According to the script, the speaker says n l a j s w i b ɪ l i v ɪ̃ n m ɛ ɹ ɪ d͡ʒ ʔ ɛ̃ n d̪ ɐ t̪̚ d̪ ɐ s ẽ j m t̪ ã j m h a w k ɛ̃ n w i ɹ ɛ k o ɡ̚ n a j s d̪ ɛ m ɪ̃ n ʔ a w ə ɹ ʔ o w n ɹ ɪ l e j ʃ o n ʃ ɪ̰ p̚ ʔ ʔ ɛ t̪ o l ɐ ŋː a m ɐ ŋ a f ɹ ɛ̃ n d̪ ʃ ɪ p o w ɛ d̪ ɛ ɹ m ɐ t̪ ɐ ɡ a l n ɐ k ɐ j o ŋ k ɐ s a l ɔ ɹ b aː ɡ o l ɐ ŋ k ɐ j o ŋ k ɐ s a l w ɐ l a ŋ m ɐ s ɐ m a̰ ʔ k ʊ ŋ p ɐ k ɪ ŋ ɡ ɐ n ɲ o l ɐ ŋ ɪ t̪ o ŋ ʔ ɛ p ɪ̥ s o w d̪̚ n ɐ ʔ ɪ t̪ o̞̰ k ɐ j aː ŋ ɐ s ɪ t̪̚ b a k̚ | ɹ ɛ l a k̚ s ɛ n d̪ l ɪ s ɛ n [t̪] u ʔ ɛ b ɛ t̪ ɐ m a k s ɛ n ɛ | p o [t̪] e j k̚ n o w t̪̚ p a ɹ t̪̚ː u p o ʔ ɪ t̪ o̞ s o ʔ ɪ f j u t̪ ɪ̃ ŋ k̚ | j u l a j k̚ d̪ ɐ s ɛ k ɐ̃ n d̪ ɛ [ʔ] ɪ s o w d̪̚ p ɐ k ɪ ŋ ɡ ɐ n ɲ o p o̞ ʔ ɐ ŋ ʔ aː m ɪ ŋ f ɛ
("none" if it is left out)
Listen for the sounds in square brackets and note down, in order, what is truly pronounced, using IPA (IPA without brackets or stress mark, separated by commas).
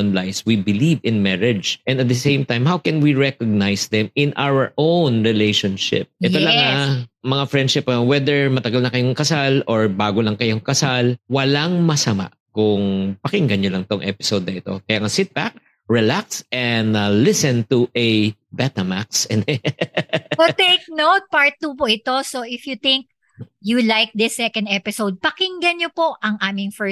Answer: t̪, t̪, p